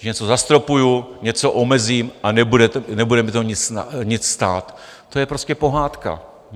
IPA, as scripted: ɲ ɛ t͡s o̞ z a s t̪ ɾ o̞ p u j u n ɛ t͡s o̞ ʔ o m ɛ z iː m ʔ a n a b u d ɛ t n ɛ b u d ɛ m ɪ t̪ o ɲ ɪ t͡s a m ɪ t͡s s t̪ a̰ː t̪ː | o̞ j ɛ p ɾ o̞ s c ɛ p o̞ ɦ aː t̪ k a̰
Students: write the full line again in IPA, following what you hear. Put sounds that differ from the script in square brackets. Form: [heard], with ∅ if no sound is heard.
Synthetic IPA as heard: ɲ ɛ t͡s o̞ z a s t̪ ɾ o̞ p u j u [ɲ] ɛ t͡s o̞ ʔ o m ɛ z iː m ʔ a n [ɛ] b u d ɛ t n ɛ b u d ɛ m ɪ t̪ o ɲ ɪ t͡s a [ɲ] ɪ t͡s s t̪ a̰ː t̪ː | o̞ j ɛ p ɾ o̞ s c ɛ p o̞ ɦ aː t̪ k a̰